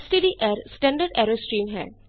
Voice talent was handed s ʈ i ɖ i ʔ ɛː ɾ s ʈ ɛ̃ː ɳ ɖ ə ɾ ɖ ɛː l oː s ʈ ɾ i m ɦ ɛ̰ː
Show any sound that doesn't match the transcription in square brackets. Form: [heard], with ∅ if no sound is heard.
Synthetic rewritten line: s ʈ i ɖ i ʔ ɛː ɾ s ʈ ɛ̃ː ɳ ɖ ə ɾ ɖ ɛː [ɾ] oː s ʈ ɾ [iː] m ɦ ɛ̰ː